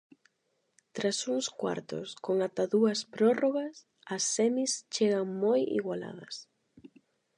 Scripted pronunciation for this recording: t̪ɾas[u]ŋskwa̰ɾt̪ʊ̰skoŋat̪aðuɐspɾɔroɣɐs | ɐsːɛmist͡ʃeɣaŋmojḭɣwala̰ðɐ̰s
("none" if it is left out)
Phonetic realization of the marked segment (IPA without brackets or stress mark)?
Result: u